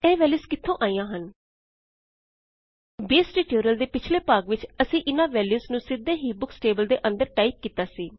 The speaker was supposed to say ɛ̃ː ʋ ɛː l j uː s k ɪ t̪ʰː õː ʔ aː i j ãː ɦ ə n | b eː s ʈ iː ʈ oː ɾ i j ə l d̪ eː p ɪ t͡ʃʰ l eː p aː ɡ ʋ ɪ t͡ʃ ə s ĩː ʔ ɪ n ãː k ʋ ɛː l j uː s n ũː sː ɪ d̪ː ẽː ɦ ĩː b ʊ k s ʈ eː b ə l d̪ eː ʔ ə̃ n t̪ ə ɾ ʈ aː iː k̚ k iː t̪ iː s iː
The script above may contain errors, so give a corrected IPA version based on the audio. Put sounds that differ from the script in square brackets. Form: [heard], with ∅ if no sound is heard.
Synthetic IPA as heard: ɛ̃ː ʋ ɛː l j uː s k ɪ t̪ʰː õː ʔ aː i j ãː ɦ ə n | b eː s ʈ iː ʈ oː ɾ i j ə l d̪ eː p ɪ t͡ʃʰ l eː p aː ɡ ʋ ɪ t͡ʃ ə s ĩː ʔ ɪ n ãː [∅] ʋ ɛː l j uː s n ũː [s] ɪ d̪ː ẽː ɦ [iː] b ʊ k s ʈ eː b ə l d̪ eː ʔ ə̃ n [d̪] ə ɾ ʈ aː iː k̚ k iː t̪ [aː] s iː